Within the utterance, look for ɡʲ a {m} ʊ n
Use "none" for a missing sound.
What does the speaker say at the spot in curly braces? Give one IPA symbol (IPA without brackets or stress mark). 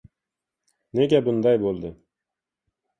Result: b